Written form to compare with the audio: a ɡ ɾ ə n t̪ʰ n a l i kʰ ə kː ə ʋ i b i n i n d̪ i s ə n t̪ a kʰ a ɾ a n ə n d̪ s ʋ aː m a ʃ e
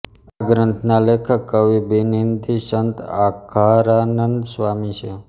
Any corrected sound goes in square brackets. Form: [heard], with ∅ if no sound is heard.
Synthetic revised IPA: a ɡ ɾ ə n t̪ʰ n a l [e] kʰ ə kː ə ʋ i b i n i n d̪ i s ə n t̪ a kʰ a ɾ a n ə n d̪ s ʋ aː m [i] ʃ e